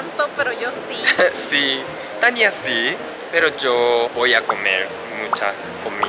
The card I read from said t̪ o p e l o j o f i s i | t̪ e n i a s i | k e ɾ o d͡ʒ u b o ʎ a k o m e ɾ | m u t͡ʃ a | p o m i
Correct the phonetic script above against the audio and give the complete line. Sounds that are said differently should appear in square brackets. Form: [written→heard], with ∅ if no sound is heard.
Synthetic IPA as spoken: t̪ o p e [l→ɾ] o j o [f→s] i s i | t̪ [e→a] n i a s i | [k→p] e ɾ o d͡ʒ [u→o] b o [ʎ→j] a k o m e ɾ | m u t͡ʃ a | [p→k] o m i